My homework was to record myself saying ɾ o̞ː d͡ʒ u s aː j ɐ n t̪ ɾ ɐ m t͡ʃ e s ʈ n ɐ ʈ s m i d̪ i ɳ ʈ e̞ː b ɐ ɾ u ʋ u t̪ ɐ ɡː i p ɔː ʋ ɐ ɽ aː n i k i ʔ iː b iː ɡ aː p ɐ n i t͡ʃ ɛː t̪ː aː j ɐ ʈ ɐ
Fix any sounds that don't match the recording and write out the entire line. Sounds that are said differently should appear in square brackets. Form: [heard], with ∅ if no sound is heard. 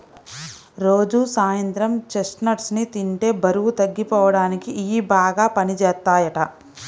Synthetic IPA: ɾ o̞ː d͡ʒ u s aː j ɐ n t̪ ɾ ɐ m t͡ʃ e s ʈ n ɐ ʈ s [n] i [t̪] i ɳ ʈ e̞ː b ɐ ɾ u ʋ u t̪ ɐ ɡː i p ɔː ʋ ɐ ɽ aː n i k i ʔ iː b [aː] ɡ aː p ɐ n i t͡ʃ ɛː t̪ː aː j ɐ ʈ ɐ